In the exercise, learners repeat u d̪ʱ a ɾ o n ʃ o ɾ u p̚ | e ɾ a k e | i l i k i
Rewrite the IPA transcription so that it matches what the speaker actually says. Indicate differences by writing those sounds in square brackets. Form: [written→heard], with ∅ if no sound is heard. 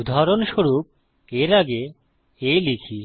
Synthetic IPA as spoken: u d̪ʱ a ɾ o n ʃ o ɾ u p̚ | e ɾ a [k→ɡ] e | [i→e] l i [k→kʰ] i